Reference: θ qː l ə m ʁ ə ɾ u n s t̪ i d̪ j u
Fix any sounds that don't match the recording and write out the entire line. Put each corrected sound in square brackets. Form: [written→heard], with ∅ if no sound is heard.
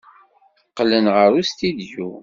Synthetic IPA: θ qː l ə [m→n] ʁ ə ɾ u [n→∅] s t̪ i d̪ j u